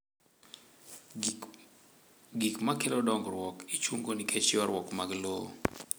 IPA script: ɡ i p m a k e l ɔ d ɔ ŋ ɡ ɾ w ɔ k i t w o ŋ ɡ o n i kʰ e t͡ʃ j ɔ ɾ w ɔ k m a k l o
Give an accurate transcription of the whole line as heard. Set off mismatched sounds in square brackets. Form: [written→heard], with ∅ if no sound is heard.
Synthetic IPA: ɡ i [p→k] m a k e l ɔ d ɔ ŋ ɡ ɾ w ɔ k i [t→t͡ʃ] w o ŋ ɡ o n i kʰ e t͡ʃ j ɔ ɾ w ɔ k m a [k→ɡ] l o